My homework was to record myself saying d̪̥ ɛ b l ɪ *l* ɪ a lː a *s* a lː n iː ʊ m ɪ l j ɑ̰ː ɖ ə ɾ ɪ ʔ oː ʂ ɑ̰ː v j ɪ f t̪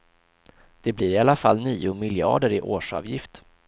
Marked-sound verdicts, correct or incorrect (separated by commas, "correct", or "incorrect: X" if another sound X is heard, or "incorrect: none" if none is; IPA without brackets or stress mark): incorrect: ɾ, incorrect: f